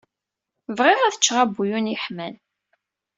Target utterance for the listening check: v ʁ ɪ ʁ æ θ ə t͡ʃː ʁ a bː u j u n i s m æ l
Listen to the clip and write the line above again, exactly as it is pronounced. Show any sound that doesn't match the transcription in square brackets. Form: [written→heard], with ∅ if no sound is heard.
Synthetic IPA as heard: v ʁ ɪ ʁ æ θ ə t͡ʃː ʁ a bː u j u n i [s→ħ] m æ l